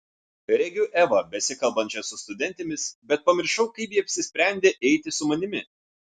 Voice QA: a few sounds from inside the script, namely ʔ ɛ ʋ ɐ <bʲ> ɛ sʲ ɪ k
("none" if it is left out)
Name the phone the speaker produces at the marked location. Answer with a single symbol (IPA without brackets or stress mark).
bʲ